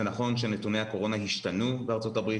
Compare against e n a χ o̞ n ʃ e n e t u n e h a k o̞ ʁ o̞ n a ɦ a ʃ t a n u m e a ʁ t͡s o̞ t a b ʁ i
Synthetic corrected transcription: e n a χ o̞ n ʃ e n e t u n e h a k o̞ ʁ o̞ n a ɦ i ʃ t a n u b e a ʁ t͡s o̞ t a b ʁ i